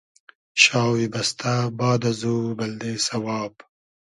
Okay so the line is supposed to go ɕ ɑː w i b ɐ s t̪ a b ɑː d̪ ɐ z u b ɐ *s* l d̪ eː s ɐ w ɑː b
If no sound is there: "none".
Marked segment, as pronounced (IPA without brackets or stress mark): none